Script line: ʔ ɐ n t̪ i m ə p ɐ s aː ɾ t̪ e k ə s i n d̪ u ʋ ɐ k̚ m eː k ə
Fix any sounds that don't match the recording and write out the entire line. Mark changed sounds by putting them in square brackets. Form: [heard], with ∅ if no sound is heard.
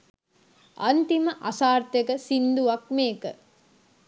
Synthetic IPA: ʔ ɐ n t̪ i m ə [ʔ] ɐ s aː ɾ t̪ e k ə s i n d̪ u ʋ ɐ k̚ m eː k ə